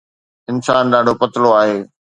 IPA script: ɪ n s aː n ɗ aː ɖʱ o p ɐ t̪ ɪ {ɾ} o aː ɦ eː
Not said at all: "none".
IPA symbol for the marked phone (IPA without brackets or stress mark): l